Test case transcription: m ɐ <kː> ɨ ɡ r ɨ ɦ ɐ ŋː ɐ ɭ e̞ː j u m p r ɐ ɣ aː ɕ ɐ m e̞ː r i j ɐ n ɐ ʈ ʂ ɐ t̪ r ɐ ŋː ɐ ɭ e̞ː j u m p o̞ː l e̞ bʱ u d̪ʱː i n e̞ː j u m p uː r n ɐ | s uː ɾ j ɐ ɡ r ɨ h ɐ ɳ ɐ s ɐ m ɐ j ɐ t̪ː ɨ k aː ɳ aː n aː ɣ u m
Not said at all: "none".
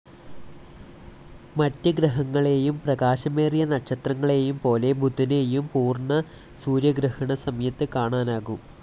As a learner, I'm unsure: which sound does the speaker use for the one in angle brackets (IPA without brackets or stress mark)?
tː